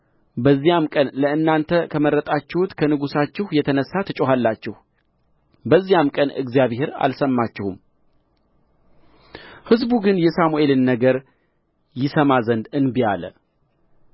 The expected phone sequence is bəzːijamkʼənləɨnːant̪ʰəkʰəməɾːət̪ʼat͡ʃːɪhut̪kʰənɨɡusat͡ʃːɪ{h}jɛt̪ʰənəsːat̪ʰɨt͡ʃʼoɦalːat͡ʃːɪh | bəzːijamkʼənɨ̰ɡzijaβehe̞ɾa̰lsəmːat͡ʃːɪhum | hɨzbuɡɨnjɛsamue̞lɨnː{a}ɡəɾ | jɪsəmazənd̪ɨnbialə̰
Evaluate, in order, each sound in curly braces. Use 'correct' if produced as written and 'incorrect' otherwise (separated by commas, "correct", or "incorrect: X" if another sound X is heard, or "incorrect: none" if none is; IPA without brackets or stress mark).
correct, incorrect: ə